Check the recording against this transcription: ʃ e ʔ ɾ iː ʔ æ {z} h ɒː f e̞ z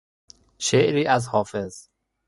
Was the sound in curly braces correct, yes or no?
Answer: yes